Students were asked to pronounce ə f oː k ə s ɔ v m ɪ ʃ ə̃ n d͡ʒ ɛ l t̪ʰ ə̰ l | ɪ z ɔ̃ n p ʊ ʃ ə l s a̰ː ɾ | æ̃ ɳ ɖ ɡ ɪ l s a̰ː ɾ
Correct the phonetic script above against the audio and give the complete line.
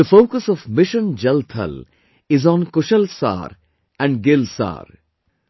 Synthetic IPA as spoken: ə f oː k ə s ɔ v m ɪ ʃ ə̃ n d͡ʒ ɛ l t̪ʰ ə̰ l | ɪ z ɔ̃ n k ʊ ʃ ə l s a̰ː ɾ | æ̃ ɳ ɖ ɡ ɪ l s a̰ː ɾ

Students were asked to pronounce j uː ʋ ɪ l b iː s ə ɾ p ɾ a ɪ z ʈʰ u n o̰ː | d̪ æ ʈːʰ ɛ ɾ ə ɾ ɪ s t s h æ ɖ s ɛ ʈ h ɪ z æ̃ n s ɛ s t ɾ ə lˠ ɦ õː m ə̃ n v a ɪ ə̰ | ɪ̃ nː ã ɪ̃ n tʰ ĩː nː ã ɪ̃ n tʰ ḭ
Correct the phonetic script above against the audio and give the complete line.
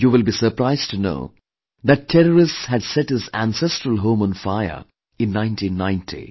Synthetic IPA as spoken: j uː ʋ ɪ l b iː s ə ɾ p ɾ a ɪ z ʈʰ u n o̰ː | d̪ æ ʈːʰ ɛ ɾ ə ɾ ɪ s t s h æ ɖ s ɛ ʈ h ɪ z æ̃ n s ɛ s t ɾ ə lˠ ɦ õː m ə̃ n f a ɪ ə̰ | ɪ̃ nː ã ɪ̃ n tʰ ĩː nː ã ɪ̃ n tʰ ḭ

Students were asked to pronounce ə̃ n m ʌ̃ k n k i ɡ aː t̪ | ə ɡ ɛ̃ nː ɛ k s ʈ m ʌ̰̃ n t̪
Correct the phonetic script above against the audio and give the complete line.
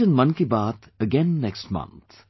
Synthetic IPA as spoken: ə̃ n m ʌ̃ n k i b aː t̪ | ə ɡ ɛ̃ nː ɛ k s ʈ m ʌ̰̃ n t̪

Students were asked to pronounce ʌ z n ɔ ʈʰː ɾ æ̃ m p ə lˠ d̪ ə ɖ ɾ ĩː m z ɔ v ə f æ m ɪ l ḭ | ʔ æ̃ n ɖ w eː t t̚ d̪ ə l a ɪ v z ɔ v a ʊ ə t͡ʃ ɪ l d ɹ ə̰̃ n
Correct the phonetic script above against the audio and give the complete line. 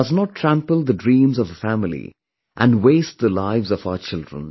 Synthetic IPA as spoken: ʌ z n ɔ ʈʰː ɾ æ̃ m p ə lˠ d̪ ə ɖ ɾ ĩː m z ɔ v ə f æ m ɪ l ḭ | ʔ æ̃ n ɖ w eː s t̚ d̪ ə l a ɪ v z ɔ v a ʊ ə t͡ʃ ɪ l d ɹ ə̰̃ n

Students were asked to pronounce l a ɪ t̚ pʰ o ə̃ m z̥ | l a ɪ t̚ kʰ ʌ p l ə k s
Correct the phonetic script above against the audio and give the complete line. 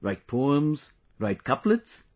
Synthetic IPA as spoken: ɹ a ɪ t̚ pʰ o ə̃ m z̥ | ɹ a ɪ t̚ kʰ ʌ p l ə t s

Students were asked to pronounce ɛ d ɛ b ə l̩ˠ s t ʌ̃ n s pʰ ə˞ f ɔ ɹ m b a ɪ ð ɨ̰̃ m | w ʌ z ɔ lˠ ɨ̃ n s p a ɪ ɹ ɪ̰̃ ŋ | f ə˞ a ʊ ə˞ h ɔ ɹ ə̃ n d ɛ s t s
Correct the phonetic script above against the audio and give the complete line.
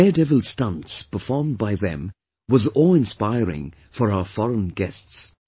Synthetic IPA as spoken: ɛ d ɛ v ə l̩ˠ s t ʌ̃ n s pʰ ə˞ f ɔ ɹ m b a ɪ ð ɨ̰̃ m | w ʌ z ɔ lˠ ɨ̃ n s p a ɪ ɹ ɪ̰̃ ŋ | f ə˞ a ʊ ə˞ f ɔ ɹ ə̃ n ɡ ɛ s t s

